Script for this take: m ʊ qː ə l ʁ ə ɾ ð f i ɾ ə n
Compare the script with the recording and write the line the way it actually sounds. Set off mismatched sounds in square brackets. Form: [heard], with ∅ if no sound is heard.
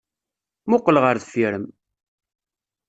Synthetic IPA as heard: m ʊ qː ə l ʁ ə ɾ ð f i ɾ ə [m]